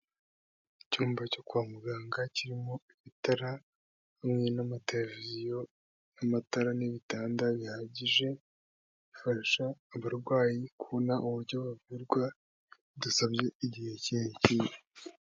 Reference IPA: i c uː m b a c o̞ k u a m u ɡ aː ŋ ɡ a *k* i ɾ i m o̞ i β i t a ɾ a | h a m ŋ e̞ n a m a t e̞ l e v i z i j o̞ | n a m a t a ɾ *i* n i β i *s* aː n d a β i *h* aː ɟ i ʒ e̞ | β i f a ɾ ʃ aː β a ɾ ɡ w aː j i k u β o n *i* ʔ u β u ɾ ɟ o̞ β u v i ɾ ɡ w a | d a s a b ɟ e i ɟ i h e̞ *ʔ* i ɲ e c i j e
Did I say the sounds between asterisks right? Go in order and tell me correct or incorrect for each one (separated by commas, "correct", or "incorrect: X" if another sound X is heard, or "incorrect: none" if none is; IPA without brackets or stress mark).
incorrect: c, incorrect: a, incorrect: t, correct, incorrect: a, incorrect: c